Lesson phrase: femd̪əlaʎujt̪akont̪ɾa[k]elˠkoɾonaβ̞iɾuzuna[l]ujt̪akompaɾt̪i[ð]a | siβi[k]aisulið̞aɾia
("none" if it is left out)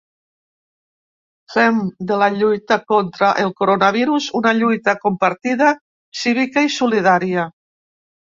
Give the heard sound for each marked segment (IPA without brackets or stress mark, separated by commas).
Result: ʔ, ʎ, ð, k